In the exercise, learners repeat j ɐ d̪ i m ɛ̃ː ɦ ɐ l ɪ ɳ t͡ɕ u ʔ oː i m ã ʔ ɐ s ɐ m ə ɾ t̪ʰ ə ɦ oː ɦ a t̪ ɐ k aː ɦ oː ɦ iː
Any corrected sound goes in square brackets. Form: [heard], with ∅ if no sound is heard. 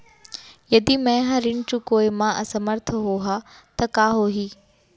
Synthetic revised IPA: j ɐ d̪ i m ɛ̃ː ɦ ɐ [ɾ] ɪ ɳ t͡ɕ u [k] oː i m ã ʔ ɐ s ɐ m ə ɾ t̪ʰ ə ɦ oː ɦ a t̪ ɐ k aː ɦ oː ɦ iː